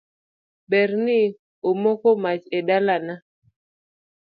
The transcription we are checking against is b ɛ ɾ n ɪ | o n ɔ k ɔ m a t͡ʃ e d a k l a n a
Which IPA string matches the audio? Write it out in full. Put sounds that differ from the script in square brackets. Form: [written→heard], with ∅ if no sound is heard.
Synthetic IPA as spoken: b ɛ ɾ n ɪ | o [n→m] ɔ k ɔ m a t͡ʃ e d a [k→∅] l a n a